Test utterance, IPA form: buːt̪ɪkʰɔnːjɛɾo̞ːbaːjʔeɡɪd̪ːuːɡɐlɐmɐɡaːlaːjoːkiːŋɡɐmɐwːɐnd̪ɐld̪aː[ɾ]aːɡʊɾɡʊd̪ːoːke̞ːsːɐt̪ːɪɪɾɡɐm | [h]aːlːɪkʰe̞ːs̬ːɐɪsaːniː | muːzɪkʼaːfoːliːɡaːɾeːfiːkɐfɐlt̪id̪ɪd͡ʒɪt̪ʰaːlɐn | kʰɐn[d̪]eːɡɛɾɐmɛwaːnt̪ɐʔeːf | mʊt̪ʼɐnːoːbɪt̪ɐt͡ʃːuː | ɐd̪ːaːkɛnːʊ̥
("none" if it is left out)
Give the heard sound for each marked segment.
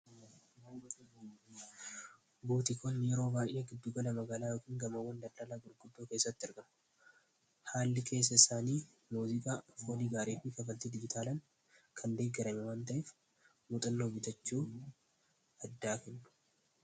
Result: l, h, d̪

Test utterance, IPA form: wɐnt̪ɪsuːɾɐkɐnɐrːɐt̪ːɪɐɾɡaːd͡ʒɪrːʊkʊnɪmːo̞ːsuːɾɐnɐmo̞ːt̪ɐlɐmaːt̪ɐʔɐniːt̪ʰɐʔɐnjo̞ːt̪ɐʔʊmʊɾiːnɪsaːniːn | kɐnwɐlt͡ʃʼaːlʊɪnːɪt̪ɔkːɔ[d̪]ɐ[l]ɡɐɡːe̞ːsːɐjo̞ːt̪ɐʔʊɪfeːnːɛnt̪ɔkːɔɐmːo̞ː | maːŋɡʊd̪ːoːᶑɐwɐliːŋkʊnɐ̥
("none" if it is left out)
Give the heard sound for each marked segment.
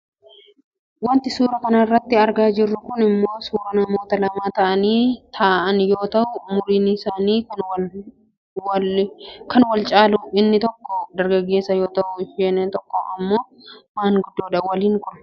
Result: d̪, ɾ

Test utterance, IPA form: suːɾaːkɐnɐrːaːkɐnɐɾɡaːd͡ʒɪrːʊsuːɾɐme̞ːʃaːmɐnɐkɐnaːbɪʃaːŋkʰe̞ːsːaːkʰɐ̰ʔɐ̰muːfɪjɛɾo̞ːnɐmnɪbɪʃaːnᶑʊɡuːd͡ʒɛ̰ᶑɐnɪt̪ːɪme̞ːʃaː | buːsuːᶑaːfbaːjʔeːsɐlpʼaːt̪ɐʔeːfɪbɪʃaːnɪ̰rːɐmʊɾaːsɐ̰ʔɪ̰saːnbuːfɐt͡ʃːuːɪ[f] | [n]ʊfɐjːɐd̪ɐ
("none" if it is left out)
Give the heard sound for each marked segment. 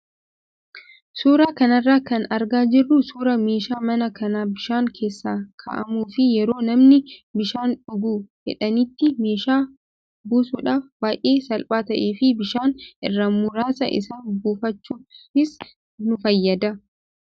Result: s, n

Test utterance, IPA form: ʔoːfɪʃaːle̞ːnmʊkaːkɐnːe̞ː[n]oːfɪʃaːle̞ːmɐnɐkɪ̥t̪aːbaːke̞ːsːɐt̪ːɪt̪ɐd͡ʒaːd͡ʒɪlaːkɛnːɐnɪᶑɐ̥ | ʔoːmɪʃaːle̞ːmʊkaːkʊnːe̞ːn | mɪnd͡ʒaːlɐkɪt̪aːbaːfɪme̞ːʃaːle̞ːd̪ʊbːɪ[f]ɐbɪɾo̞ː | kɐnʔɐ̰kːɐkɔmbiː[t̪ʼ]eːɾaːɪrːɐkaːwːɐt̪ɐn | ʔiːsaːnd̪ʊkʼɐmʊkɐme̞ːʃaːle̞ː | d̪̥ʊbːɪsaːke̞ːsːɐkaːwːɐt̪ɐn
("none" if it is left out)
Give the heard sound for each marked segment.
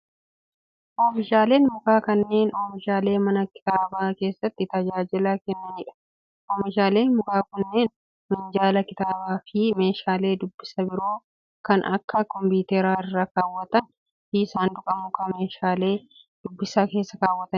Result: n, s, t̪

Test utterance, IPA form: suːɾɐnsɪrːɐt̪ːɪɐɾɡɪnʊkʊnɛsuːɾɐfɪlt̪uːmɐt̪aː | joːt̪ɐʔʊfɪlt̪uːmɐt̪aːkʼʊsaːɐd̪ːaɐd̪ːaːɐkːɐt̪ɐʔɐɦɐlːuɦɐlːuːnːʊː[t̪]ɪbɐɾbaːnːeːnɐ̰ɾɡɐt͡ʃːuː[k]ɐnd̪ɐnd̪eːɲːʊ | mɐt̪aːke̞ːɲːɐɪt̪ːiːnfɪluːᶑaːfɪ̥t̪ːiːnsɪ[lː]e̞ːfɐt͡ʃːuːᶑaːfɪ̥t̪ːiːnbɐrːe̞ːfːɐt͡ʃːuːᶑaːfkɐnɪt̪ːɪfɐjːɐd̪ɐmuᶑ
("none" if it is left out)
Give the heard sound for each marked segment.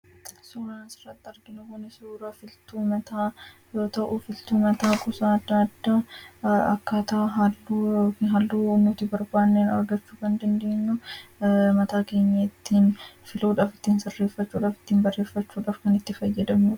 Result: t̪, k, rː

